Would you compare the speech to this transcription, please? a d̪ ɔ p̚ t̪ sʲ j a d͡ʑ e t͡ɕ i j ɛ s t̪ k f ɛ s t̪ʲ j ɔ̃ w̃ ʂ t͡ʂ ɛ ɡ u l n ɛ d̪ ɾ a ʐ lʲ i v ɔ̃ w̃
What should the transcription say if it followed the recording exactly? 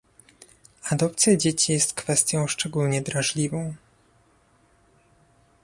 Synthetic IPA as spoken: a d̪ ɔ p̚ t̪ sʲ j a d͡ʑ e t͡ɕ i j ɛ s t̪ k f ɛ s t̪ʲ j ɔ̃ w̃ ʂ t͡ʂ ɛ ɡ u l ɲ ɛ d̪ ɾ a ʐ lʲ i v ɔ̃ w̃